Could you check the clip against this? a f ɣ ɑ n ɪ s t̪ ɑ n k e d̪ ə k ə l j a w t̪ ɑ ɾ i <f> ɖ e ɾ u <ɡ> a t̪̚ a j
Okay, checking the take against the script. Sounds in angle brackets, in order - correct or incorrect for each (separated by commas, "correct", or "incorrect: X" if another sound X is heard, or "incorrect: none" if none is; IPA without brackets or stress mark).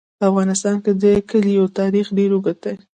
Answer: incorrect: x, correct